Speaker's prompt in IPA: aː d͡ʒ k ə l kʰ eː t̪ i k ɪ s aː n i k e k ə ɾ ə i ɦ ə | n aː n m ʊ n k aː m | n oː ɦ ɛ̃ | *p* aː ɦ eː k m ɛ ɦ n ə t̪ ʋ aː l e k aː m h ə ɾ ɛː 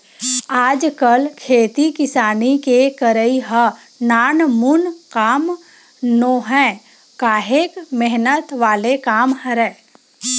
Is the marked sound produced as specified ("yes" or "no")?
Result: no